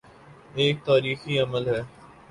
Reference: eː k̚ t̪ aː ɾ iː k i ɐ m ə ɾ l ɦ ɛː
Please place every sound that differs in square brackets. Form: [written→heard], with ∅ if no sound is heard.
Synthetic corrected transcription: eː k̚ t̪ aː ɾ iː [k→x] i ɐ m ə [ɾ→∅] l ɦ ɛː